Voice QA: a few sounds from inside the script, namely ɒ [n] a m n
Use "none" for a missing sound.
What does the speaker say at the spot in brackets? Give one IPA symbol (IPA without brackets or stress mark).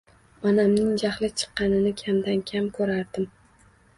n